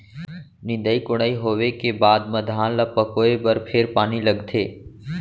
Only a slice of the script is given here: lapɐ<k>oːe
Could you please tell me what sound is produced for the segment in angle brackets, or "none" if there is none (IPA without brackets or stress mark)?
k